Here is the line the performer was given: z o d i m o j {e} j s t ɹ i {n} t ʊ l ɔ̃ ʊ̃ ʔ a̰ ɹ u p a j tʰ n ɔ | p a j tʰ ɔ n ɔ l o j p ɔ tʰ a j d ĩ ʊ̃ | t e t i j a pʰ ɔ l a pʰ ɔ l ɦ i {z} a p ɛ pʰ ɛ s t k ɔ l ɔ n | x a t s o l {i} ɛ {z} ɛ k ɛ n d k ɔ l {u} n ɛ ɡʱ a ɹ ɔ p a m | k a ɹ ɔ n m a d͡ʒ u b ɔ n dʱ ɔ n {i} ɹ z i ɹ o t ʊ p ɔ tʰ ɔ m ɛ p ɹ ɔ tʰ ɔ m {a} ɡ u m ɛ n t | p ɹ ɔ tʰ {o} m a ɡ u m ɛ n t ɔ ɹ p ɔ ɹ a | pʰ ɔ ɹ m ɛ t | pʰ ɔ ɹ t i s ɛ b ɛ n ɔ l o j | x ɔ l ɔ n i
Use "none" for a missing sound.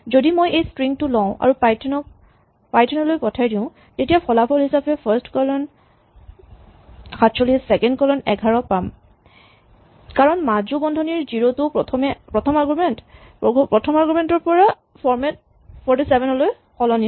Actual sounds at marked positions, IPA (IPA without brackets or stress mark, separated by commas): e, ŋ, s, i, s, ɔ, i, a, ɔ